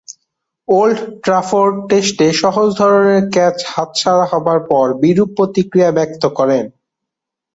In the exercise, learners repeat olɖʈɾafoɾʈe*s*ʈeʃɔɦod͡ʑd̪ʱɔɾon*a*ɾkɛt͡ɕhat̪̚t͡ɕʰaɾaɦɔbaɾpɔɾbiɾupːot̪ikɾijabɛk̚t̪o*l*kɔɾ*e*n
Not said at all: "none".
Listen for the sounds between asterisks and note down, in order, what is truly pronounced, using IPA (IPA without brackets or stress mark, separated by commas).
s, e, none, e